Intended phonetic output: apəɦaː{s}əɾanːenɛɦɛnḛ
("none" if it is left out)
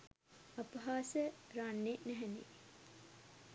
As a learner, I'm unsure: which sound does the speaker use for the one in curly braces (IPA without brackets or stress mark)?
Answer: s